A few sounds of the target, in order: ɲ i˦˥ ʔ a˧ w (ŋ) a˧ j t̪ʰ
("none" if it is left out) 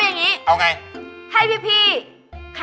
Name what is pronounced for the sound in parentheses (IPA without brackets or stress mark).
ŋ